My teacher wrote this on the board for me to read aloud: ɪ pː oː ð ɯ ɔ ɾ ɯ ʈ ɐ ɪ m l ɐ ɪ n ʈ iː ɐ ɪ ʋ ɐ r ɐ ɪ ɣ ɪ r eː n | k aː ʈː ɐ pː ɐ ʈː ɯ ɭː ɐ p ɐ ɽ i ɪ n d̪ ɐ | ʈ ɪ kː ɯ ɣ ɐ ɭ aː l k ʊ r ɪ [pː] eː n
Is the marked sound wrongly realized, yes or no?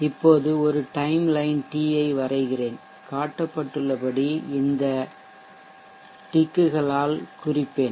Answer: no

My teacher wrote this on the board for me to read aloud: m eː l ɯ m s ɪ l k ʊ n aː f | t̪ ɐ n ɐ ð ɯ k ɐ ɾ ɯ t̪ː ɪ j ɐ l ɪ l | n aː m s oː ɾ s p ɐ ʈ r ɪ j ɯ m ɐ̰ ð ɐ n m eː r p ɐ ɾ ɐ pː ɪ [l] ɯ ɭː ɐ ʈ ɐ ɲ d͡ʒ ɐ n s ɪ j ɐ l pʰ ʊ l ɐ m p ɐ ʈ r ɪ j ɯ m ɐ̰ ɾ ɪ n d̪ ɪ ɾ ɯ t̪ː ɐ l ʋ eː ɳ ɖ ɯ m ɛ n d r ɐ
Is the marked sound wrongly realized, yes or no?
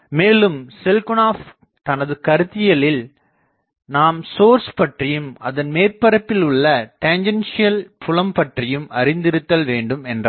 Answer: no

